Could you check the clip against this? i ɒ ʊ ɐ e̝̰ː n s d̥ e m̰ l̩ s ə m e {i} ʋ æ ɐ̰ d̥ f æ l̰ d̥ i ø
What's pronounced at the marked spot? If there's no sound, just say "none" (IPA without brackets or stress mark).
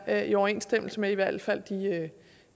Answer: i